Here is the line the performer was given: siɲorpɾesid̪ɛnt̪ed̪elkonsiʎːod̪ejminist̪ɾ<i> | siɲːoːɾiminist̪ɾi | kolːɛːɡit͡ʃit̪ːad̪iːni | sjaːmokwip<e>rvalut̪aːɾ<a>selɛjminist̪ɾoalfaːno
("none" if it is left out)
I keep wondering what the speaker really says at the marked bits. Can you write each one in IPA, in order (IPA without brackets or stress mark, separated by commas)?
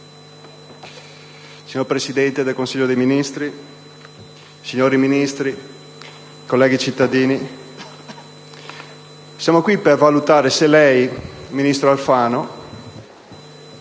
i, e, e